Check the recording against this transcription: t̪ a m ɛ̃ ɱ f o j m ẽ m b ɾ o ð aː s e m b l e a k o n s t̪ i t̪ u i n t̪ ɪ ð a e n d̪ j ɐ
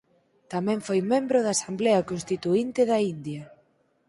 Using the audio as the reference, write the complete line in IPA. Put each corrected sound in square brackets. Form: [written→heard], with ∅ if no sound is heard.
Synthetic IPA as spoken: t̪ a m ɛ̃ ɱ f o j m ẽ m b ɾ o ð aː s [e→a] m b l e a k o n s t̪ i t̪ u i n t̪ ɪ ð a [e→i] n d̪ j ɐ

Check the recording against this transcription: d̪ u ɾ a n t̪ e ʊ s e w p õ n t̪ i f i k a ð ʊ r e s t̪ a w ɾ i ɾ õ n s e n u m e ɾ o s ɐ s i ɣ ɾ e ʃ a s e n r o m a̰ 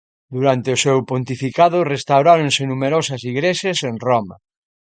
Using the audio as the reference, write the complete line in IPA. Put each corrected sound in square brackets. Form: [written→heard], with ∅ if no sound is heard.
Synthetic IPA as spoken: d̪ u ɾ a n t̪ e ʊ s e w p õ n t̪ i f i k a ð ʊ r e s t̪ a w ɾ [i→a] ɾ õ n s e n u m e ɾ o s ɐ s i ɣ ɾ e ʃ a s e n r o m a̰

